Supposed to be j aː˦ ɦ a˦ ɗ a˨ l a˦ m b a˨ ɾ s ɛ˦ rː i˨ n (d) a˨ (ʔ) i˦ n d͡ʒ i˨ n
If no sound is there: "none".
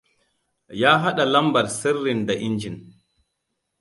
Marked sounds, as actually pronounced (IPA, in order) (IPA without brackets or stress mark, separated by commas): d, ʔ